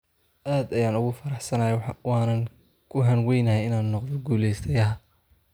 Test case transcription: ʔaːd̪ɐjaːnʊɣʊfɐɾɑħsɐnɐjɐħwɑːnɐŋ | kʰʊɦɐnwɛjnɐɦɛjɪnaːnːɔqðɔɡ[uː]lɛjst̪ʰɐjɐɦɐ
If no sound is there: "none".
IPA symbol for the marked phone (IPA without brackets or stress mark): uː